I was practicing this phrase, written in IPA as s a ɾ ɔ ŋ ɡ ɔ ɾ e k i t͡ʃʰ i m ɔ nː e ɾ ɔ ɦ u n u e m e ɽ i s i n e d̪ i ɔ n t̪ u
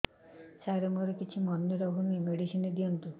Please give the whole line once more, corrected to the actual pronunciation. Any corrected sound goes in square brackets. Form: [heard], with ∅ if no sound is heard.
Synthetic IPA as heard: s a ɾ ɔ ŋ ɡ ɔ ɾ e k i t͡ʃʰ i m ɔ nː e ɾ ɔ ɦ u n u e m e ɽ i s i n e d̪ i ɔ n t̪ u